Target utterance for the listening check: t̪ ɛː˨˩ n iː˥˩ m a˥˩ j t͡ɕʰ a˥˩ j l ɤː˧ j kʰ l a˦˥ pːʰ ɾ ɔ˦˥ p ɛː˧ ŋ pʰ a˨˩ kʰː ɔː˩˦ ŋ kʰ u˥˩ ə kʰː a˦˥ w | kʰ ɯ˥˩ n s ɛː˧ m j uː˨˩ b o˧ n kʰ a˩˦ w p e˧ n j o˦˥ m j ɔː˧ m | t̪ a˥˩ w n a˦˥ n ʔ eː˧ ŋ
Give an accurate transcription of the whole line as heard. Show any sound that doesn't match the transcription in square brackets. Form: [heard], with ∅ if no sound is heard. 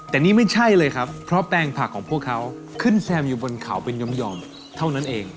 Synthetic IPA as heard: t̪ ɛː˨˩ n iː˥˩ m a˥˩ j t͡ɕʰ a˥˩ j l ɤː˧ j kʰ [ɾ] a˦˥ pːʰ ɾ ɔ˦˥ p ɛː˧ ŋ pʰ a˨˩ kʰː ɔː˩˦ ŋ [pʰ] u˥˩ ə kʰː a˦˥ w | kʰ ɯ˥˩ n s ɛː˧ m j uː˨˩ b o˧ n kʰ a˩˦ w p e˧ n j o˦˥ m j ɔː˧ m | [t̪ʰ] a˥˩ w n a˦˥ n ʔ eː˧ ŋ